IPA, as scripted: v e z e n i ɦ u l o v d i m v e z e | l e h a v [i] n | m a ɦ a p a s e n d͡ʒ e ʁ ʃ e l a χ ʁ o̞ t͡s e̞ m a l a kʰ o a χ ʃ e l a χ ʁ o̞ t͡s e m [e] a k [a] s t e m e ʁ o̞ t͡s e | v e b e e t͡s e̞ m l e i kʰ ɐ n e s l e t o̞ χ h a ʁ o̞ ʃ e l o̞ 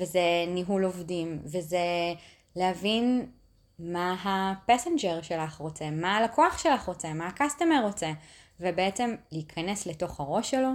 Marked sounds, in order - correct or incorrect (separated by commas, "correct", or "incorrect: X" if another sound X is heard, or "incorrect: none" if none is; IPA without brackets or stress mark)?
correct, incorrect: a, correct